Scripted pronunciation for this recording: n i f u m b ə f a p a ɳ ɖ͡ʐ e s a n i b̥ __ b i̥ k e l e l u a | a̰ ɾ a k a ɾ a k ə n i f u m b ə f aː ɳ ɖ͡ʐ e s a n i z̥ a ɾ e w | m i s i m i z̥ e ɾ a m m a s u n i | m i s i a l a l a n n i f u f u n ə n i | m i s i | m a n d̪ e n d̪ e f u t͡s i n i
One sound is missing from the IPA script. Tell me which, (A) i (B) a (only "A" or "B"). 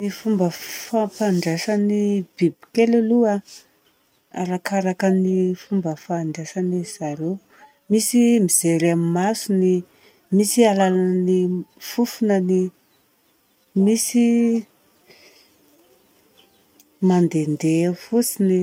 A